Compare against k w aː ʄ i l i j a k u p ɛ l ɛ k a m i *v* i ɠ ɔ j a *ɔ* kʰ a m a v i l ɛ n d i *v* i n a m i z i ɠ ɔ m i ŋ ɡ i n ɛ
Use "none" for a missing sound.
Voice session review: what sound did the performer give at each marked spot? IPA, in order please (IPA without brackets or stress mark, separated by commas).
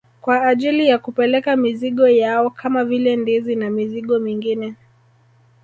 z, ɔ, z